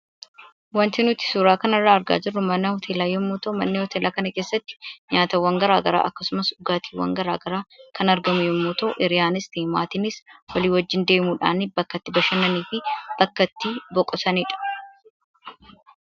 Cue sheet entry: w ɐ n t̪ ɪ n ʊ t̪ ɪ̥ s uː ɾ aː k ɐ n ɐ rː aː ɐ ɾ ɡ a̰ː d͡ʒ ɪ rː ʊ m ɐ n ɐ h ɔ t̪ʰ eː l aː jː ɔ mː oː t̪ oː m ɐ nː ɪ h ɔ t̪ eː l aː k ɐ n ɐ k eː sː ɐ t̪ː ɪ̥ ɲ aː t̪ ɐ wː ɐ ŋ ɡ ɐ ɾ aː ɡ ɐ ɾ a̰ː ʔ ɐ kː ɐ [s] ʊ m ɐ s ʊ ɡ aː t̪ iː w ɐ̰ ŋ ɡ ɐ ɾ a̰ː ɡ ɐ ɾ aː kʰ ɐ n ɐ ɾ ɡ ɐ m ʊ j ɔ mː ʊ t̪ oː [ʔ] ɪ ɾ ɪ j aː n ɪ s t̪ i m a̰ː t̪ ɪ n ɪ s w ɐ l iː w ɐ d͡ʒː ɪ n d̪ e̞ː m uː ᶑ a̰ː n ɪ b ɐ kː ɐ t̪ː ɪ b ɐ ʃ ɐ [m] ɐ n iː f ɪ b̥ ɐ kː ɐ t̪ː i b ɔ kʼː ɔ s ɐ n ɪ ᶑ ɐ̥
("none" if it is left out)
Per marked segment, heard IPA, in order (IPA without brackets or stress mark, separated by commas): s, ʔ, n